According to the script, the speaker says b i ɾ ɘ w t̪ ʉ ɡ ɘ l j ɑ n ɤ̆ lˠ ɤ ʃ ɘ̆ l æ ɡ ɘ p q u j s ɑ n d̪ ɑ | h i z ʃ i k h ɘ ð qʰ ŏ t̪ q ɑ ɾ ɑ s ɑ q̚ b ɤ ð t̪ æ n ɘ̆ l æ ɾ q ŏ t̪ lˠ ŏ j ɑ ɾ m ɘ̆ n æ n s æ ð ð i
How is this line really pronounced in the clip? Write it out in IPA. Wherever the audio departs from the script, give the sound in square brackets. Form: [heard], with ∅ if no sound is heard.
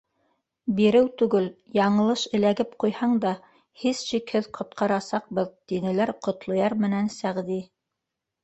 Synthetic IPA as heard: b i ɾ ɘ w t̪ ʉ ɡ ɘ l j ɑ [ɴ] ɤ̆ lˠ ɤ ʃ ɘ̆ l æ ɡ ɘ p q u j [h] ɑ [ɴ] d̪ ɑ | h i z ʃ i k h ɘ ð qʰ ŏ t̪ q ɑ ɾ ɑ s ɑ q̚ b ɤ ð t̪ [i] n ɘ̆ l æ ɾ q ŏ t̪ lˠ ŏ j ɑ ɾ m ɘ̆ n æ n s æ [ʁ] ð i